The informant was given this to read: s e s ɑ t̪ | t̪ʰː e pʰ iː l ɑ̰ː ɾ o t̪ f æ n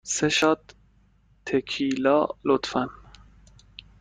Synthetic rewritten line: s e ʃ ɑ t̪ | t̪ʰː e kʰ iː l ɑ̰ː l o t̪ f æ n